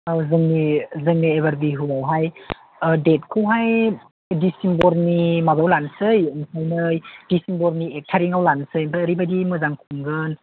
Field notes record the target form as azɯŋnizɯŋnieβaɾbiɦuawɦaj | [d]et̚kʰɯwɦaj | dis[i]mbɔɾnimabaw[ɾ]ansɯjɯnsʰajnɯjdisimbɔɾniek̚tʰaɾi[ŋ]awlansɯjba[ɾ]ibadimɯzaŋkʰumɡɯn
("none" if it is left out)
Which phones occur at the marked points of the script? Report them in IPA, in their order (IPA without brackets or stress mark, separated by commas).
d, i, l, ŋ, ɾ